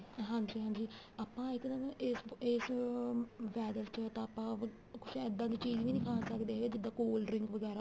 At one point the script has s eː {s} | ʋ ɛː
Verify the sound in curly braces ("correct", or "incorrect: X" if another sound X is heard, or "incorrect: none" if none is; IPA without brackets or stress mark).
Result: correct